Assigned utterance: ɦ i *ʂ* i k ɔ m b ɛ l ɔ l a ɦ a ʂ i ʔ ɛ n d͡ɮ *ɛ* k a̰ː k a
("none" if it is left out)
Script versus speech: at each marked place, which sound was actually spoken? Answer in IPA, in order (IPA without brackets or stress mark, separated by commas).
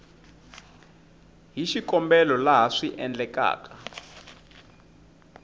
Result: ʃ, ɛ